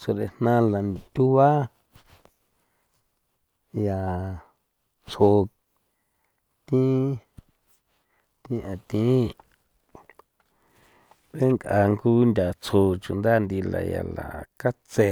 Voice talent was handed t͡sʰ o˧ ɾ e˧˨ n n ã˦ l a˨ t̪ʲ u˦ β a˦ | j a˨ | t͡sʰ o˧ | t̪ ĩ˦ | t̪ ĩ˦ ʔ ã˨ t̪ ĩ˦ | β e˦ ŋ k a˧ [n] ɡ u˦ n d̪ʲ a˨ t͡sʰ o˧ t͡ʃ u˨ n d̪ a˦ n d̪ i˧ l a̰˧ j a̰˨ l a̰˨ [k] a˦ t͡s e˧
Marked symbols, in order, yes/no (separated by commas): no, yes